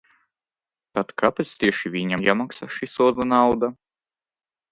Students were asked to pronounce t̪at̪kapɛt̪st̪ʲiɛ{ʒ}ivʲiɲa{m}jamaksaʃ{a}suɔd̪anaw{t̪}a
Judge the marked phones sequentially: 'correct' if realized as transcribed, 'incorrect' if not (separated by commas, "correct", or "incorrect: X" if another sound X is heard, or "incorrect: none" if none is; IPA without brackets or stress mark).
incorrect: ʃ, correct, incorrect: i, incorrect: d̪